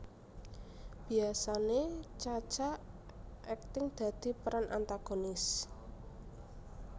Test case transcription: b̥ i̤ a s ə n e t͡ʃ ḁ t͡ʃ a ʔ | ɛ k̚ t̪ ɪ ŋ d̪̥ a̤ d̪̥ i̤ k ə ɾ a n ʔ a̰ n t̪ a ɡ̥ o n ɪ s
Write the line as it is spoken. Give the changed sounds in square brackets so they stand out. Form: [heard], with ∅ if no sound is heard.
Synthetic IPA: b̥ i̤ a s [a] n e t͡ʃ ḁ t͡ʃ a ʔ | ɛ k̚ t̪ ɪ ŋ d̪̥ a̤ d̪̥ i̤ [p] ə ɾ a n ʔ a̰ n t̪ a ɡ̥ o n ɪ s